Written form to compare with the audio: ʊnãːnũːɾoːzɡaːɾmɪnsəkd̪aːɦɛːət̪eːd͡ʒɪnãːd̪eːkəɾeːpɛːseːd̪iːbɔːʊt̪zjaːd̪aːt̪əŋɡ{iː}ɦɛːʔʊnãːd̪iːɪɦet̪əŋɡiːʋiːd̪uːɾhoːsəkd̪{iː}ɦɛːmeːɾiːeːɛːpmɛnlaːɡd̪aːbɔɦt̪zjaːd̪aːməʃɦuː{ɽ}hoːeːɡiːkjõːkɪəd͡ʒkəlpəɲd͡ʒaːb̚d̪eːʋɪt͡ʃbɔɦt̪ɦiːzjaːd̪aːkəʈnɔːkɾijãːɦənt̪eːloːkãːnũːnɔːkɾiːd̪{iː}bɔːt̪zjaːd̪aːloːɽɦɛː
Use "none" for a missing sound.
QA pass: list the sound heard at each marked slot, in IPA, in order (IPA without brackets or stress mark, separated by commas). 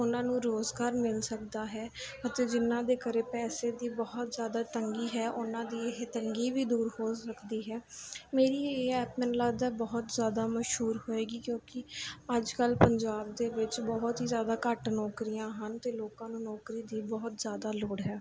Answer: iː, iː, ɾ, iː